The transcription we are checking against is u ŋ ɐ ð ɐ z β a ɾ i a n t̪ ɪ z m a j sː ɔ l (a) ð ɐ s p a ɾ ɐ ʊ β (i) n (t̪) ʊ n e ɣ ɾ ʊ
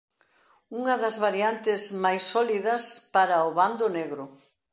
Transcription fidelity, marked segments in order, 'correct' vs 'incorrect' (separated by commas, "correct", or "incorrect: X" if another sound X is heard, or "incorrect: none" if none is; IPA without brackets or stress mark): incorrect: i, incorrect: a, incorrect: d̪